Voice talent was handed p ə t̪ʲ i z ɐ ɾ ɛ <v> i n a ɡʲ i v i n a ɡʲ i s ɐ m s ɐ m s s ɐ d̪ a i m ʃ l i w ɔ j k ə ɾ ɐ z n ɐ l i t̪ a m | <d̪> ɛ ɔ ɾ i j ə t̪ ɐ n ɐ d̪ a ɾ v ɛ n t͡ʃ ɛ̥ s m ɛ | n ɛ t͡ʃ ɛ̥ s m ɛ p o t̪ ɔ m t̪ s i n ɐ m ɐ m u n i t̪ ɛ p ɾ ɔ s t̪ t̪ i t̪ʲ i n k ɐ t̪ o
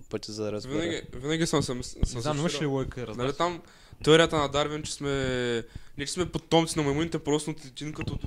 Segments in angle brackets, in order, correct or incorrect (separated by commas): correct, incorrect